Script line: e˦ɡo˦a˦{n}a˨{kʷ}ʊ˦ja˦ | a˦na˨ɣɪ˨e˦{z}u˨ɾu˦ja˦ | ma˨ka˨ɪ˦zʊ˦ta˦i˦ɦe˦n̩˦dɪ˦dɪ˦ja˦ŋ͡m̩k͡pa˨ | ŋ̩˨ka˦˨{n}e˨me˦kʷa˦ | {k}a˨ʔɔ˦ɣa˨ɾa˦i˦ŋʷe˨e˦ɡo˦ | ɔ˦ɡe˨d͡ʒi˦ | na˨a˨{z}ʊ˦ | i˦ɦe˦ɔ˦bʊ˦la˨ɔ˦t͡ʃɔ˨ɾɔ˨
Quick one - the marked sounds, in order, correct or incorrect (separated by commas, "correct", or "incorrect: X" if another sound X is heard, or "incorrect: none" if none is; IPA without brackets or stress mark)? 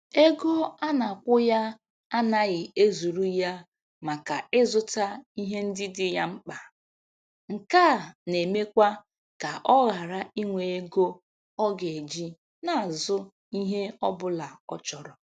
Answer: correct, correct, correct, correct, correct, correct